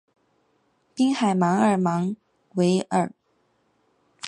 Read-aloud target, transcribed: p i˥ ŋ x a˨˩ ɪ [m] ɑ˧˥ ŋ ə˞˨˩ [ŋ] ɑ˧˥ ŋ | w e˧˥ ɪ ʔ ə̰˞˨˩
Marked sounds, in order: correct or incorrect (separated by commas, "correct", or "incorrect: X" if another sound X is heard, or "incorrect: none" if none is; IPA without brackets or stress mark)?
correct, incorrect: m